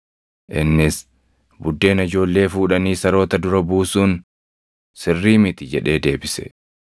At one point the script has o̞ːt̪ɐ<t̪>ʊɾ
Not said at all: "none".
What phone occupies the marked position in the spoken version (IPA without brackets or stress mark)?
d̪